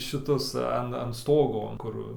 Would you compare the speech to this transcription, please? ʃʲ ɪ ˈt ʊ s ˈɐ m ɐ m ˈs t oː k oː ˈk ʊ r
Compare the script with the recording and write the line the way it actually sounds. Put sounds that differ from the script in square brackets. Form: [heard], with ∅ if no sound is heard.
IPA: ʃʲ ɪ ˈt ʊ s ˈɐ [n] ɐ [n] ˈs t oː [ɡ] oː ˈk ʊ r